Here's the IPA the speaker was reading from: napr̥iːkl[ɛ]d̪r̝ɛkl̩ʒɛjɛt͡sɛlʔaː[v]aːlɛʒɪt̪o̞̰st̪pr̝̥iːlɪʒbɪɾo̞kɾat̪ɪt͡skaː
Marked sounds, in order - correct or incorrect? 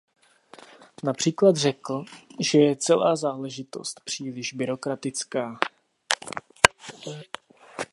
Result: incorrect, incorrect

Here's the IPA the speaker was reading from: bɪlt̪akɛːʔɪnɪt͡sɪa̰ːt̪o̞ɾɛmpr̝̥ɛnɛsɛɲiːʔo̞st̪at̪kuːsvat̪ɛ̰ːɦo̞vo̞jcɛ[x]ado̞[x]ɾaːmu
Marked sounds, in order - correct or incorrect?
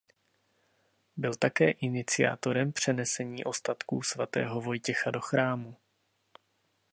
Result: correct, correct

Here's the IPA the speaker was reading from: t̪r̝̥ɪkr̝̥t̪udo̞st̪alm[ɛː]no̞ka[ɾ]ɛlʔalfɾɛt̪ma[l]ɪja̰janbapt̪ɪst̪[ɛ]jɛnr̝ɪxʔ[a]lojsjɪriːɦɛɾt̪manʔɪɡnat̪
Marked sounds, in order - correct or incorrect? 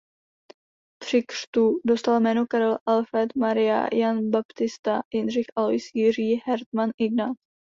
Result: correct, correct, incorrect, incorrect, correct

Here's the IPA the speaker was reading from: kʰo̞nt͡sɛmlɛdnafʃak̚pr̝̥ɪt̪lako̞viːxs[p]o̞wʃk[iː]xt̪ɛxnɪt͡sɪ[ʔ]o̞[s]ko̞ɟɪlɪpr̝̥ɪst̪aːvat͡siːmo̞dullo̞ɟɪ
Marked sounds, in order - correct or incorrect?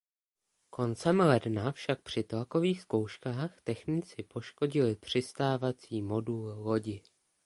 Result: incorrect, incorrect, incorrect, incorrect

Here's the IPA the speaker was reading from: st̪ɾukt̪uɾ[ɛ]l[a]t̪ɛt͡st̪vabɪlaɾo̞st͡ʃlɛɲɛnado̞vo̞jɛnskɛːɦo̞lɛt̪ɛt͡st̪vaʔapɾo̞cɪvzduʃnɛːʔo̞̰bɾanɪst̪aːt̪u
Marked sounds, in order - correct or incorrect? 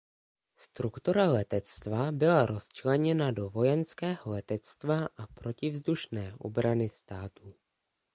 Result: incorrect, incorrect

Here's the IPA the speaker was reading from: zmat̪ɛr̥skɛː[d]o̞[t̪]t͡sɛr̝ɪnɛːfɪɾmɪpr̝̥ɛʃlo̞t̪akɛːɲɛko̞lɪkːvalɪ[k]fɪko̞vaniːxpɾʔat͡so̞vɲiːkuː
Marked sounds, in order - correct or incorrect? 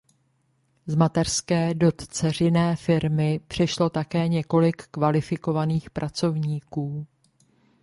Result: correct, correct, incorrect

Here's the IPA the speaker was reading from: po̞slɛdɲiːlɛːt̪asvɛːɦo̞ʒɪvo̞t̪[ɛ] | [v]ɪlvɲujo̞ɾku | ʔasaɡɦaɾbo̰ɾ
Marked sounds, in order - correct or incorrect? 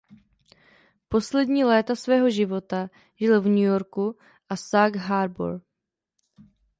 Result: incorrect, incorrect

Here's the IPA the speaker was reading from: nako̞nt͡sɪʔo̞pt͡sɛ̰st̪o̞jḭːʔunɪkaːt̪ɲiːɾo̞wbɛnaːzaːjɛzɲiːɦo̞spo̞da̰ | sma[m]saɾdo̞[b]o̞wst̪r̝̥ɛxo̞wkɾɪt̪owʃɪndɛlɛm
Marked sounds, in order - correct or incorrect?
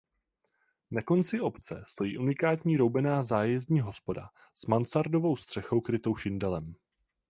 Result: incorrect, incorrect

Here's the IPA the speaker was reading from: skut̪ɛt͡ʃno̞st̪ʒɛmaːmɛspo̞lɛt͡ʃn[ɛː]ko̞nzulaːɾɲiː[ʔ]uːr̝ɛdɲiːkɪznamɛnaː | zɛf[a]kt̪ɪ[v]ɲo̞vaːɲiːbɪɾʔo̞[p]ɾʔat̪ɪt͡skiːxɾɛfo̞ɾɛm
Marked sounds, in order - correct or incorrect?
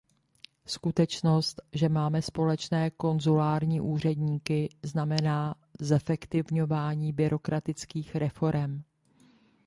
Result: correct, correct, incorrect, correct, incorrect

